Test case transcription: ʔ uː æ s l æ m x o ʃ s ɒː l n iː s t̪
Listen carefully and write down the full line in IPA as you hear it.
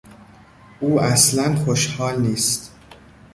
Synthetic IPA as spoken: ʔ uː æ s l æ n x o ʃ h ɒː l n iː s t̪